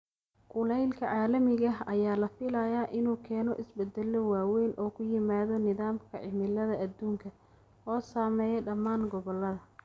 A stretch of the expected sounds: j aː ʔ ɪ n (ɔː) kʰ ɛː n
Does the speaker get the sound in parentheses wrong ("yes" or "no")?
yes